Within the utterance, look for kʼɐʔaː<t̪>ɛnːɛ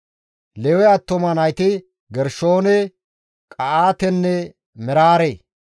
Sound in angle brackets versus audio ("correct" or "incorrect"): correct